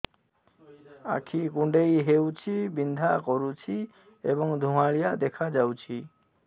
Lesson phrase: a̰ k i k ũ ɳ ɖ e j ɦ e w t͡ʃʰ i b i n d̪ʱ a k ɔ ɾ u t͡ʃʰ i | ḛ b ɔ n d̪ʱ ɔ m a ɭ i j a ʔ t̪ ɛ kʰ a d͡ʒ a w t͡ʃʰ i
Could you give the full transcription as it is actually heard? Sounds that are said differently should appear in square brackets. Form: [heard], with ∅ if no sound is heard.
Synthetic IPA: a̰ [kʰ] i k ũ ɳ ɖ e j ɦ e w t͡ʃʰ i b i n d̪ʱ a k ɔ ɾ u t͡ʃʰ i | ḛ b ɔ [ŋ] d̪ʱ [u] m a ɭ i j a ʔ [d̪] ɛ kʰ a d͡ʒ a w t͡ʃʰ i